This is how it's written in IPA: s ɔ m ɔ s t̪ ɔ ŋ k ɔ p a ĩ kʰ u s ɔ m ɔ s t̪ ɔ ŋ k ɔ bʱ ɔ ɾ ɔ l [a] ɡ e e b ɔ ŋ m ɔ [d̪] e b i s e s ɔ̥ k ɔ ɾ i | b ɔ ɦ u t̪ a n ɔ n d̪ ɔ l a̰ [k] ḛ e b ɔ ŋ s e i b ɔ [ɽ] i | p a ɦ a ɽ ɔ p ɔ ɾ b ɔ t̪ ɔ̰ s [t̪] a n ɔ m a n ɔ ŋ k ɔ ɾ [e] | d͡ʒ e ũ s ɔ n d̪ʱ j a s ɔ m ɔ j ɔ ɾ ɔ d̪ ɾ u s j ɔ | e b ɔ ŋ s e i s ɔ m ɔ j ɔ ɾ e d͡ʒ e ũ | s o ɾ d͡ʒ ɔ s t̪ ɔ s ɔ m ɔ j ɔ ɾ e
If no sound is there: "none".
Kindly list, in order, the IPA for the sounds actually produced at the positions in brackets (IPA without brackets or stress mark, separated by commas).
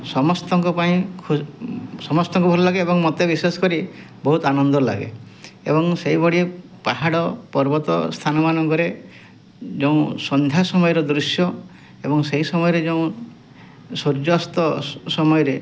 a, t̪, ɡ, ɽ, t̪ʰ, e